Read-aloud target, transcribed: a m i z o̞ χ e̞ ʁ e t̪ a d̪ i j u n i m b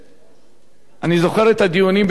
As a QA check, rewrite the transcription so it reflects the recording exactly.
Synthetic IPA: a n i z o̞ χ e̞ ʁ e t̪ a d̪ i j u n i m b